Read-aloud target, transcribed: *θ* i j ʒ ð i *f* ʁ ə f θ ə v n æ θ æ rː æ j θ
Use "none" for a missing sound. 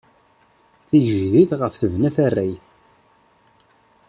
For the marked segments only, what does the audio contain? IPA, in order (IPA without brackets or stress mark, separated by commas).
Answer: θ, θ